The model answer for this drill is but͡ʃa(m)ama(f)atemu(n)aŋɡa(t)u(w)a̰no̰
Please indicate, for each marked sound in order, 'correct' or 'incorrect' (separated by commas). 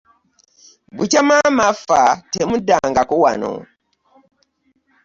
correct, correct, incorrect, incorrect, correct